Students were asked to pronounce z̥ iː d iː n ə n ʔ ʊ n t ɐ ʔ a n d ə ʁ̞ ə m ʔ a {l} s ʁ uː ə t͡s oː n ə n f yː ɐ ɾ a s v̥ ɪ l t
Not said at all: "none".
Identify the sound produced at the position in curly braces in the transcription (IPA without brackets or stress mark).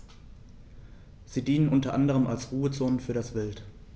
l